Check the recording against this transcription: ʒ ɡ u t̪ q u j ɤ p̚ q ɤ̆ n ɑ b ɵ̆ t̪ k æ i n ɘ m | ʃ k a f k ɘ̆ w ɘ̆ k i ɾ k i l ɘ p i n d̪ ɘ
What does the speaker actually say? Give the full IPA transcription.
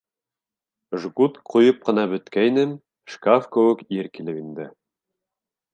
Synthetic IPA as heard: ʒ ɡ u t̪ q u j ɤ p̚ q ɤ̆ n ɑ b ɵ̆ t̪ k æ j n ɘ m | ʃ k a f k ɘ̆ w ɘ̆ k i ɾ k i l ɘ p i n d̪ ɘ